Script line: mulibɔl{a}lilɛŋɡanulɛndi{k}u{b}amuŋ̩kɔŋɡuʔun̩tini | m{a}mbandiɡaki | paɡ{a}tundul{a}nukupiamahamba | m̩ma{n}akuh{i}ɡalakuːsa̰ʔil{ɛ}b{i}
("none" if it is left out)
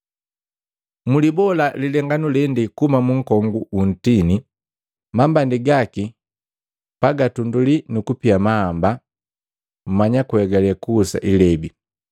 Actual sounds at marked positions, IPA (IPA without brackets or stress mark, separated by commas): a, k, m, a, a, i, ɲ, ɛ, ɛ, i